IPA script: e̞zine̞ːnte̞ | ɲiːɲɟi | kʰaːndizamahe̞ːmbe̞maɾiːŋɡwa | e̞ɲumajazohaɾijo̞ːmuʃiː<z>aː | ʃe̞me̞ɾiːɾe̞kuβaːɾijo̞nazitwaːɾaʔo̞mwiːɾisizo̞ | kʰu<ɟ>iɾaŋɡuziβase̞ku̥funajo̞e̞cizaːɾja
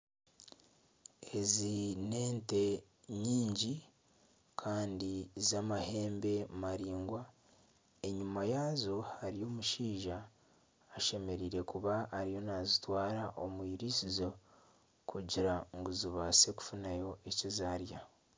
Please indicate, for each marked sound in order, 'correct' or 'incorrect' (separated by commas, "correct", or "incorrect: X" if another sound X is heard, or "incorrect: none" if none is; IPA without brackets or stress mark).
incorrect: ʒ, correct